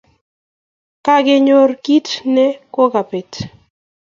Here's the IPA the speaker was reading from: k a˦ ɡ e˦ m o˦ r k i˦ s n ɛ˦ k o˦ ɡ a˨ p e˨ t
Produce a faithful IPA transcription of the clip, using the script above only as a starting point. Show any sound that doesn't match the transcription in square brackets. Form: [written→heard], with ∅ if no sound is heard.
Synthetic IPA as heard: k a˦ ɡ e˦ [m→ɲ] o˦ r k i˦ [s→t] n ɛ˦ k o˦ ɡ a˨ p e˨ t